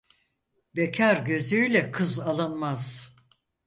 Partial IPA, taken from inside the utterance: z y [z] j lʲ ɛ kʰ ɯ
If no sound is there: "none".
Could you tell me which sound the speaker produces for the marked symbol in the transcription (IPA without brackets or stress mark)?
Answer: none